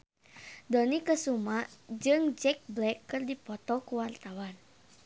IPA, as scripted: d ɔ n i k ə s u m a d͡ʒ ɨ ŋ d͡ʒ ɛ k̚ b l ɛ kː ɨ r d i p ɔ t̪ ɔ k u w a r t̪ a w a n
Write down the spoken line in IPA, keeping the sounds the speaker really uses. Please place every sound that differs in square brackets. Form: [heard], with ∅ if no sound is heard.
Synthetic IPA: d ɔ n i k ə s u m a d͡ʒ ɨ ŋ d͡ʒ ɛ k̚ b l ɛ kː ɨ r d i p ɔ t̪ ɔ k u w a r t̪ a w a n